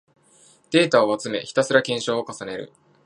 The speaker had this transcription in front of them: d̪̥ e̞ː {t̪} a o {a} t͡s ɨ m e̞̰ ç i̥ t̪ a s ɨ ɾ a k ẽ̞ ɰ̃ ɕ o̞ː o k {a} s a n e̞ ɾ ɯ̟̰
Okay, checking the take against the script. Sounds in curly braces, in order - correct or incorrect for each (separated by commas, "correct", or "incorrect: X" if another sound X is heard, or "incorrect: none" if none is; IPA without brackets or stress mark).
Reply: correct, correct, correct